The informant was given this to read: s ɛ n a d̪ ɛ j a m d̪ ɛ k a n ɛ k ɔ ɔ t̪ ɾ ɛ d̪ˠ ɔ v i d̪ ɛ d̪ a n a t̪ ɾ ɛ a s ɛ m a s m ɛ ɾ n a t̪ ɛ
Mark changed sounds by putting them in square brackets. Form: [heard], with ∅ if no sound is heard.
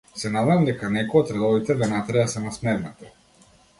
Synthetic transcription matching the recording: s ɛ n a d̪ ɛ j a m d̪ ɛ k a n ɛ k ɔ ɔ t̪ ɾ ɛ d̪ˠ ɔ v i [t̪] ɛ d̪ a n a t̪ ɾ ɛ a s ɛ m a s m ɛ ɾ n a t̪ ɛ

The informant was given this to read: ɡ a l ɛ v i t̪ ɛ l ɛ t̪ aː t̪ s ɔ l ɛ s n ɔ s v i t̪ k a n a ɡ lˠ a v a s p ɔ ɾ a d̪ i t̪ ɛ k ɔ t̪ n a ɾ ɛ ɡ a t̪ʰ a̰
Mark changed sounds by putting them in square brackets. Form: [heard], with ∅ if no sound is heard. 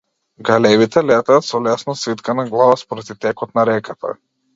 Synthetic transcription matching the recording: ɡ a l ɛ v i t̪ ɛ l ɛ t̪ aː t̪ s ɔ l ɛ s n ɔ s v i t̪ k a n a ɡ lˠ a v a s p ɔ ɾ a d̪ i t̪ ɛ k ɔ t̪ n a ɾ ɛ [k] a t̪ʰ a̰

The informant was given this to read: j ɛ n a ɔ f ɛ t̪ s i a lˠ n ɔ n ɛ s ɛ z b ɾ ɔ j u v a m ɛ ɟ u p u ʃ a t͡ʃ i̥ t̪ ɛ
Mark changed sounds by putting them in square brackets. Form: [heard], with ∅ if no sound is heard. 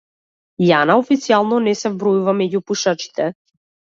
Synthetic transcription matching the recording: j [a] n a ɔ f [i] t̪ s i a lˠ n ɔ n ɛ s ɛ [v] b ɾ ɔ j u v a m ɛ ɟ u p u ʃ a t͡ʃ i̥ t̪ ɛ

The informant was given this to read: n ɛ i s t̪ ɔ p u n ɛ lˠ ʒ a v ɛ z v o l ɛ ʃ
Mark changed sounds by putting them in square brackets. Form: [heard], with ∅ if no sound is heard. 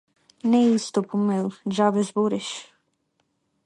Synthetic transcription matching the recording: n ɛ i s t̪ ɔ p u [m] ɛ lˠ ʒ a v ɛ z [b] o [ɾ] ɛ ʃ

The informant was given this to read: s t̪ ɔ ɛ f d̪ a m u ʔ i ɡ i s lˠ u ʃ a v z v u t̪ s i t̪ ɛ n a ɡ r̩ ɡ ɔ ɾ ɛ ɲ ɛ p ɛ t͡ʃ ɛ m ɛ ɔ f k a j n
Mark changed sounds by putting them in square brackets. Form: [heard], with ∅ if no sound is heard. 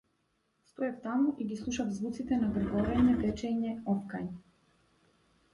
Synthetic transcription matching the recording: s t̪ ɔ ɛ f [t̪] a m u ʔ i ɡ i s lˠ u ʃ a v z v u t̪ s i t̪ ɛ n a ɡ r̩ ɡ ɔ ɾ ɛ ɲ ɛ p ɛ t͡ʃ ɛ [ɲ] ɛ ɔ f k a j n

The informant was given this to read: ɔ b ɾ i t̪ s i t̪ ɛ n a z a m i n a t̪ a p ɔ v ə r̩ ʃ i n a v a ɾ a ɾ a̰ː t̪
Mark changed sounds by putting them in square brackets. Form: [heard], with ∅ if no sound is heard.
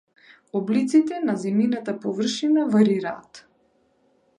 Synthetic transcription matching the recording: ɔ b [l] i t̪ s i t̪ ɛ n a z [ɛ] m i n a t̪ a p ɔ v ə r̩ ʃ i n a v a ɾ [i] ɾ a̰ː t̪

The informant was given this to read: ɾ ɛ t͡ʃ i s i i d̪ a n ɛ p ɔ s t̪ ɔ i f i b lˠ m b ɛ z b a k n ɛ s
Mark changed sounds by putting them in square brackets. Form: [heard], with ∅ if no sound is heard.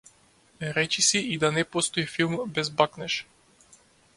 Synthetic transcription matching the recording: ɾ ɛ t͡ʃ i s i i d̪ a n ɛ p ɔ s t̪ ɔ i f i [∅] lˠ m b ɛ z b a k n ɛ [ʃ]

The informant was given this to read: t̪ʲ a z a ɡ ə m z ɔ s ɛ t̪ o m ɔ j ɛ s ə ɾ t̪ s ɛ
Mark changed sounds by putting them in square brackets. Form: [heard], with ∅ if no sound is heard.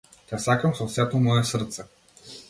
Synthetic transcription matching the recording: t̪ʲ a [s] a [k] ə m [s] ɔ s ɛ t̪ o m ɔ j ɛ s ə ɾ t̪ s ɛ

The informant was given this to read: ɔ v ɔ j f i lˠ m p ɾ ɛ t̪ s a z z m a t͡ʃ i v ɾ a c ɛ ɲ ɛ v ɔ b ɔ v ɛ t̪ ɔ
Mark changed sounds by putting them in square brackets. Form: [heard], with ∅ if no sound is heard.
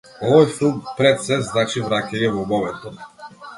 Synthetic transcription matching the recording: ɔ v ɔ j f i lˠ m p ɾ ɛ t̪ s [ɛ] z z [n] a t͡ʃ i v ɾ a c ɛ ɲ ɛ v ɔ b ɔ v ɛ t̪ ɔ

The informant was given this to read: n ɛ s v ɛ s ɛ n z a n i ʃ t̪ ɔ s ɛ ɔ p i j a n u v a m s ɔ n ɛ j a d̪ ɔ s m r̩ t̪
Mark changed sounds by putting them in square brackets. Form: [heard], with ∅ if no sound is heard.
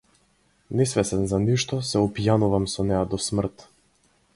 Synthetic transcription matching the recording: n ɛ s v ɛ s ɛ n z a n i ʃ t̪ ɔ s ɛ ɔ p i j a n u v a m s ɔ n ɛ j a d̪ ɔ s m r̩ t̪

